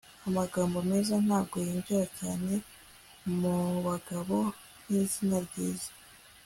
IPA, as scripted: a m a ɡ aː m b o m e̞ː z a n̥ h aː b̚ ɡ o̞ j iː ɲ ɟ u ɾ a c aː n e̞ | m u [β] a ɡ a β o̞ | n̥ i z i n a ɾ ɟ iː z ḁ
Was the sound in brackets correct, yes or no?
yes